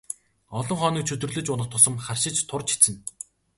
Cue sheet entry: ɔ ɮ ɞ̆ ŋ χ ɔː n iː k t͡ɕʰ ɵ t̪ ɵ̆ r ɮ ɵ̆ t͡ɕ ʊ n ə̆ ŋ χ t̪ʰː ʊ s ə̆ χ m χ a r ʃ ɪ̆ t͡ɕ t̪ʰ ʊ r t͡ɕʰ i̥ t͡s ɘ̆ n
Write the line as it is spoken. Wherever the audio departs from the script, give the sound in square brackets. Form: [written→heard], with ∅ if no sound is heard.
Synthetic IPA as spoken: ɔ ɮ ɞ̆ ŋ χ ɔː n iː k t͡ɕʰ ɵ t̪ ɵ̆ r ɮ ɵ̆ t͡ɕ ʊ n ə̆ [ŋ→∅] χ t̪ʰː ʊ s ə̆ [χ→∅] m χ a r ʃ ɪ̆ t͡ɕ t̪ʰ ʊ r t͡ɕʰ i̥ t͡s ɘ̆ n